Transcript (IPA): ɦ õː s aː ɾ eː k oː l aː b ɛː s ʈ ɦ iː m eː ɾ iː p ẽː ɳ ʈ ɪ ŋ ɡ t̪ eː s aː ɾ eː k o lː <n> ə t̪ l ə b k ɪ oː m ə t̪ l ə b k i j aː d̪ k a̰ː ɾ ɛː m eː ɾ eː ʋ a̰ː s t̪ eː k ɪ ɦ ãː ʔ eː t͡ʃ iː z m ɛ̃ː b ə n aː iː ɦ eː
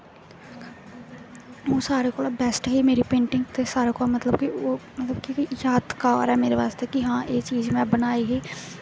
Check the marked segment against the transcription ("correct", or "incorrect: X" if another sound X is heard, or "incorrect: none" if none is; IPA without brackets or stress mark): incorrect: m